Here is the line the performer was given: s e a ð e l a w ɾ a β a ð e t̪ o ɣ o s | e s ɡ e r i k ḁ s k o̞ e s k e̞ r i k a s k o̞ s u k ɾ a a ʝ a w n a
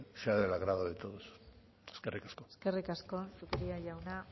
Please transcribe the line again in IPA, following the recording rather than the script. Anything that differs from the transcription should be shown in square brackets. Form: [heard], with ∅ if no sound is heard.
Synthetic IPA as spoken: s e a ð e l a [ɣ] ɾ a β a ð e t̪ o [ð] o s | e s [k] e r i k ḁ s k o̞ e s k e̞ r i k a s k o̞ s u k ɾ [i] a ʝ a w n a